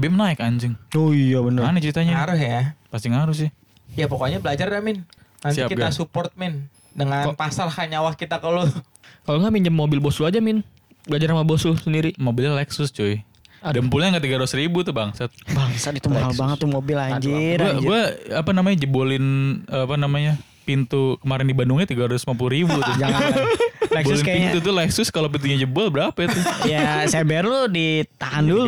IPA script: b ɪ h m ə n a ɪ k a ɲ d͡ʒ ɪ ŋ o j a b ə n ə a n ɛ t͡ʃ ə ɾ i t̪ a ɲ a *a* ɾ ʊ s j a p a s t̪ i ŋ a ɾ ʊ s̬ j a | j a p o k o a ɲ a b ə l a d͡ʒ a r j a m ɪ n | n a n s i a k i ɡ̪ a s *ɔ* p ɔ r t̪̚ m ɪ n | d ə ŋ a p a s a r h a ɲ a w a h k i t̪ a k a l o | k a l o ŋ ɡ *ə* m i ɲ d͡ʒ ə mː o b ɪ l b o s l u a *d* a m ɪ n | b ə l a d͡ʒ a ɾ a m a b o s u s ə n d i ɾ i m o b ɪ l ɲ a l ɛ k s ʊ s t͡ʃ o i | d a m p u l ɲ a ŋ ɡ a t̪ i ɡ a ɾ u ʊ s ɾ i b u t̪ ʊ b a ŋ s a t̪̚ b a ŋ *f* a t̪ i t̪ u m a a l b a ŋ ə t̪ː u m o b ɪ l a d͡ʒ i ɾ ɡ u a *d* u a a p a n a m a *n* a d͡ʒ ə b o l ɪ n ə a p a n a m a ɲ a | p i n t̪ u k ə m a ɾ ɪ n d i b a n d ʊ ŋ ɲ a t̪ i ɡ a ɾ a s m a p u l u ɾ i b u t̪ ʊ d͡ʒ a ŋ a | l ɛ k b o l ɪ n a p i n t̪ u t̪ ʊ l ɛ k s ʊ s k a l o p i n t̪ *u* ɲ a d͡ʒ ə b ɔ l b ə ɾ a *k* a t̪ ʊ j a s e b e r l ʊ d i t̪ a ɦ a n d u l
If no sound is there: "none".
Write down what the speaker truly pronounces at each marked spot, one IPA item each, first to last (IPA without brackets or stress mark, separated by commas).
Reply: a, u, a, d͡ʒ, s, ɡ, ɲ, u, p